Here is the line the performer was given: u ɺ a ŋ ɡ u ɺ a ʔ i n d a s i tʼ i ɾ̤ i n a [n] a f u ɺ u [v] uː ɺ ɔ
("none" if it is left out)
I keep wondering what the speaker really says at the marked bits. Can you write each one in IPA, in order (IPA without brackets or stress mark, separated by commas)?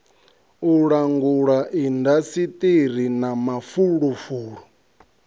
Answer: m, f